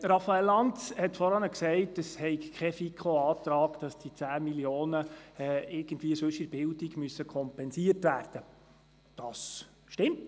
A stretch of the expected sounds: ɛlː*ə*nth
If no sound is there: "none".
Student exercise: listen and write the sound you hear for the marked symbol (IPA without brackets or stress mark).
ɑ